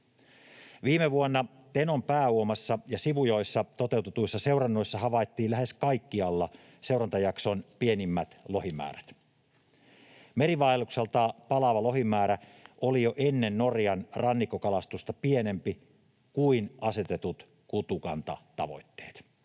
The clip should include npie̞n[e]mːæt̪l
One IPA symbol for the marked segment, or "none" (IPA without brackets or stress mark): i